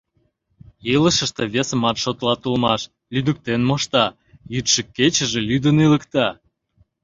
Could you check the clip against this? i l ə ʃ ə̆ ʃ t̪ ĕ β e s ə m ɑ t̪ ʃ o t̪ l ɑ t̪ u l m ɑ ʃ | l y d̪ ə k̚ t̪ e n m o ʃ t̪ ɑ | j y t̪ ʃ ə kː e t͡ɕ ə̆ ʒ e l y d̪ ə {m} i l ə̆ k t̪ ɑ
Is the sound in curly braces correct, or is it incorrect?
incorrect: n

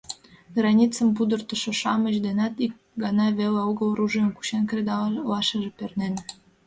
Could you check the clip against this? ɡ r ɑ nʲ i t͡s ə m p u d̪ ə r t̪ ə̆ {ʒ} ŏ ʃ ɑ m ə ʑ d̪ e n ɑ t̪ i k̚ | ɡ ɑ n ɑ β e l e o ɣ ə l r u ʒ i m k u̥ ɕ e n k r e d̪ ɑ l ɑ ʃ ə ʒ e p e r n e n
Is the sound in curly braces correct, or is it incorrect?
incorrect: ʃ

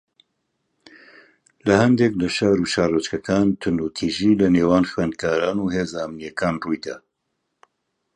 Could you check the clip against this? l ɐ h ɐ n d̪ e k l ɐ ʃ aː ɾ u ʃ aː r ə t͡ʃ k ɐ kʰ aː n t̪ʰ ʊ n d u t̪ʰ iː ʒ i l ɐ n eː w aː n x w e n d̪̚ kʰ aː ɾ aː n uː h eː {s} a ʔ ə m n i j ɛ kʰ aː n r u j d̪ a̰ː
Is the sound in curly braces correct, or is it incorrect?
incorrect: z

